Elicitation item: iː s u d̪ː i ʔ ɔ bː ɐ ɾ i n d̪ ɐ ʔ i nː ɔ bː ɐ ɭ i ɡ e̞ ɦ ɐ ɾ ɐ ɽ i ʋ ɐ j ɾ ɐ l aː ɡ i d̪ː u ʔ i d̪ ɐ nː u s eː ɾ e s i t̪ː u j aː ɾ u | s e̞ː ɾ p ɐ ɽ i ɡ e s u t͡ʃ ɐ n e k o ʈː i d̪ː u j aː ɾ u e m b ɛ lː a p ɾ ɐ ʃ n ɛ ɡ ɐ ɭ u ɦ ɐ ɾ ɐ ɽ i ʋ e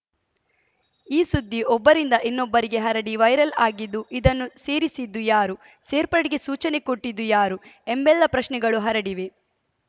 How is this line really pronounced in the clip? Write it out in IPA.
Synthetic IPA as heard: iː s u d̪ː i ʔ ɔ bː ɐ ɾ i n d̪ ɐ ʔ i nː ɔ bː ɐ ɾ i ɡ e̞ ɦ ɐ ɾ ɐ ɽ i ʋ ɐ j ɾ ɐ l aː ɡ i d̪ː u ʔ i d̪ ɐ nː u s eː ɾ i s i d̪ː u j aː ɾ u | s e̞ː ɾ p ɐ ɽ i ɡ e s uː t͡ʃ ɐ n e k o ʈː i d̪ː u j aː ɾ u e m b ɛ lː ɐ p ɾ ɐ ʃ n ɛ ɡ ɐ ɭ u ɦ ɐ ɾ ɐ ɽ i ʋ e